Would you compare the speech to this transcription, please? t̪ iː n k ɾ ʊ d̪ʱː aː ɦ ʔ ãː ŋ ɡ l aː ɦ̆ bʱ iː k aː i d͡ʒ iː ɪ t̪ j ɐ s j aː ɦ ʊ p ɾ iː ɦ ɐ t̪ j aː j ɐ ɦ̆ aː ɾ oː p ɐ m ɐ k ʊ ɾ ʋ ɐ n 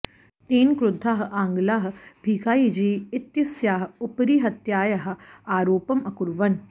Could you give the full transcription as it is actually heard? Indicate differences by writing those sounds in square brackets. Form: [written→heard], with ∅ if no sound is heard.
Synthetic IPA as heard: t̪ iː n k ɾ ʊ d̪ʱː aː ɦ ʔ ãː ŋ ɡ l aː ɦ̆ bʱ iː k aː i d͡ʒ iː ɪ t̪ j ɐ s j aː ɦ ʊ p ɾ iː ɦ ɐ t̪ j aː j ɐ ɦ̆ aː ɾ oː p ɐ m ɐ k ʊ ɾ ʋ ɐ n